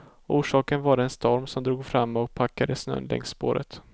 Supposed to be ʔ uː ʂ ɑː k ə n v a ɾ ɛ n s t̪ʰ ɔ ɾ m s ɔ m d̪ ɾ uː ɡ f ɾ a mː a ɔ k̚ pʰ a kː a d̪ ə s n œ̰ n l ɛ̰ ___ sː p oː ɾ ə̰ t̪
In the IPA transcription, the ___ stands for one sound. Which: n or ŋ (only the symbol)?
ŋ